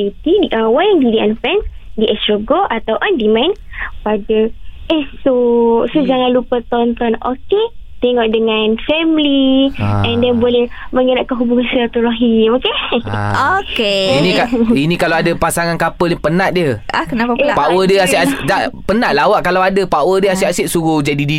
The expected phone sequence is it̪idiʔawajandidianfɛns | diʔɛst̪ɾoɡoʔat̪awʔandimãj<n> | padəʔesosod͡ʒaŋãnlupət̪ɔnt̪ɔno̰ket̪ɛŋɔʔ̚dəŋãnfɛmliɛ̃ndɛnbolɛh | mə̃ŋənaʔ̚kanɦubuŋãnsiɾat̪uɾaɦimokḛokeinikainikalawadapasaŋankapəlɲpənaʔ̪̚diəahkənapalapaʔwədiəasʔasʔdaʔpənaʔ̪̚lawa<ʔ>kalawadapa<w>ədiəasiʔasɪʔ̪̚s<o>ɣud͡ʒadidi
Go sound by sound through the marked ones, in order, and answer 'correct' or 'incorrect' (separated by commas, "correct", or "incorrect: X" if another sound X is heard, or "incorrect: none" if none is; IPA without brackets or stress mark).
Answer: correct, correct, correct, incorrect: u